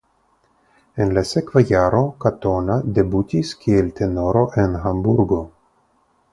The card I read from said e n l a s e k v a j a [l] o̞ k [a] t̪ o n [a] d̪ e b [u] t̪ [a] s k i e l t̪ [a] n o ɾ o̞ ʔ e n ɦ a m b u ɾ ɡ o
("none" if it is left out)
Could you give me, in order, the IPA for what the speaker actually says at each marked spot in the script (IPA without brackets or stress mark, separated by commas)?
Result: ɾ, a, a, u, i, e